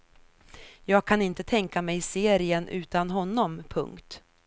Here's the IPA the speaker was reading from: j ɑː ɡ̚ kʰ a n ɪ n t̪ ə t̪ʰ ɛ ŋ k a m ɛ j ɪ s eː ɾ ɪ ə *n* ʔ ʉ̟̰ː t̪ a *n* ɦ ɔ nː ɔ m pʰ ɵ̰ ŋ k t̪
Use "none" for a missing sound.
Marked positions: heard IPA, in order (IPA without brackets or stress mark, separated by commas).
n, n